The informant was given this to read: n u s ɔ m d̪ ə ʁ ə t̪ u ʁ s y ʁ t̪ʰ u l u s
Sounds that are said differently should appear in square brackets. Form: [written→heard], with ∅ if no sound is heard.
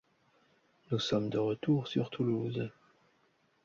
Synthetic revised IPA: n u s ɔ m d̪ ə ʁ ə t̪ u ʁ s y ʁ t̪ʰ u l u [s→z]

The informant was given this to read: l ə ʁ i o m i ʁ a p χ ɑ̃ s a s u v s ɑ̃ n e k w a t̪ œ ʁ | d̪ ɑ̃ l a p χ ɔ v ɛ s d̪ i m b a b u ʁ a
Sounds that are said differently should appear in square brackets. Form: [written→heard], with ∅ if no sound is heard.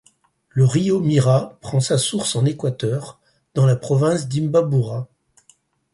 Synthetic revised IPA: l ə ʁ i o m i ʁ a p χ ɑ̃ s a s u [v→ʁ] s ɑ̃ n e k w a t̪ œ ʁ | d̪ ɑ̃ l a p χ ɔ v [ɛ→ɛ̃] s d̪ i m b a b u ʁ a

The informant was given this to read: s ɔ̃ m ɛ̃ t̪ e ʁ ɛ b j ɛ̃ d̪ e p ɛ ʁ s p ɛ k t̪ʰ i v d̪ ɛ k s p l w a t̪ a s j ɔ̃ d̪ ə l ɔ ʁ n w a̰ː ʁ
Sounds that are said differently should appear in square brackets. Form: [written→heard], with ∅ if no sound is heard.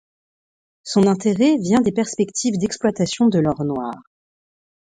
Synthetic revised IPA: s ɔ̃ [m→n] ɛ̃ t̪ e ʁ ɛ [b→v] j ɛ̃ d̪ e p ɛ ʁ s p ɛ k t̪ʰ i v d̪ ɛ k s p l w a t̪ a s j ɔ̃ d̪ ə l ɔ ʁ n w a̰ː ʁ

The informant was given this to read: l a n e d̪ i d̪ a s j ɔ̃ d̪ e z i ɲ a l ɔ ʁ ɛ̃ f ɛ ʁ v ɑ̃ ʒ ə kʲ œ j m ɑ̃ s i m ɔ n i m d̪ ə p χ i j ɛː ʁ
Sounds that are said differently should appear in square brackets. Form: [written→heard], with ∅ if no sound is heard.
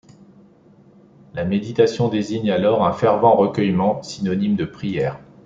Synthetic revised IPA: l a [n→m] e d̪ i [d̪→t̪] a s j ɔ̃ d̪ e z i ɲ a l ɔ ʁ ɛ̃ f ɛ ʁ v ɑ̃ [ʒ→ʁ] ə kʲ œ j m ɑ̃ s i [m→n] ɔ n i m d̪ ə p χ i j ɛː ʁ

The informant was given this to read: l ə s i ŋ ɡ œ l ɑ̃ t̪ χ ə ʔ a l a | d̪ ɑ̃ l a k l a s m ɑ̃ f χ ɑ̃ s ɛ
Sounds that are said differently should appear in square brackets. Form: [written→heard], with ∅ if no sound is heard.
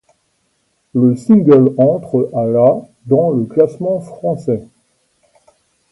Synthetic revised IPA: l ə s i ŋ ɡ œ l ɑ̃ t̪ χ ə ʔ a l a | d̪ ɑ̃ l [a→ə] k l a s m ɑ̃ f χ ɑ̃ s ɛ

